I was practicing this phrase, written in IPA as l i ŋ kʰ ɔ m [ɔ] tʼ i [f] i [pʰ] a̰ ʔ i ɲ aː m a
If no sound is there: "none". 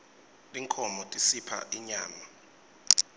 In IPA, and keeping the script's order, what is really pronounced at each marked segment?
ɔ, s, pʰ

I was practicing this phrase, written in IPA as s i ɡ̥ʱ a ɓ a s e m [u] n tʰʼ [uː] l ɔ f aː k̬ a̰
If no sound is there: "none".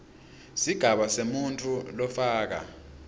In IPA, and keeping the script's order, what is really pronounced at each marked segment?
u, u

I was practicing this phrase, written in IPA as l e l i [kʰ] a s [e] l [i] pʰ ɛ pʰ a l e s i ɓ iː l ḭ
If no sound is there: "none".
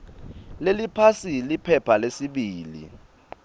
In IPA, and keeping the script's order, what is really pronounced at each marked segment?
pʰ, i, i

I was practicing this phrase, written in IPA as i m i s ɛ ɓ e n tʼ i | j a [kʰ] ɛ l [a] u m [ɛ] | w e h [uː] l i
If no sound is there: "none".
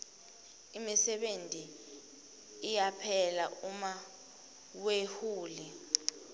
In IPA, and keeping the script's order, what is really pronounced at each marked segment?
pʰ, a, a, uː

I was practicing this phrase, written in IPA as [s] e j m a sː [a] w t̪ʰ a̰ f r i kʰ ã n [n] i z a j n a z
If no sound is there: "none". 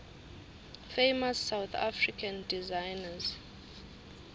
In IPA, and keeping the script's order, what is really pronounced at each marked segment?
f, a, d

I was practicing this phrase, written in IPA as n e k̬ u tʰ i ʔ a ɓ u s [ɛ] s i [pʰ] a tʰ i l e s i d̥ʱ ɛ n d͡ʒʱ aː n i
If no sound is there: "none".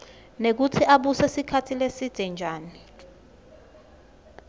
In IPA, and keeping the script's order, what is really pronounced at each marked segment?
ɛ, kʰ

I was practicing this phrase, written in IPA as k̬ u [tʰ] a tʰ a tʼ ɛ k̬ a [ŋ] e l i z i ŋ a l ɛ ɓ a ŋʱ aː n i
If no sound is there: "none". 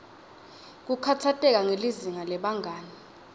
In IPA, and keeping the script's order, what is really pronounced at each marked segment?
kʰ, ŋ

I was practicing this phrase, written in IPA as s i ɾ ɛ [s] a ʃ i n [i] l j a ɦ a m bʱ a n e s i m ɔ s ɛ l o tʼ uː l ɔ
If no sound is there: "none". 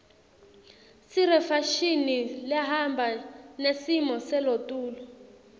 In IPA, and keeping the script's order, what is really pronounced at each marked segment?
f, i

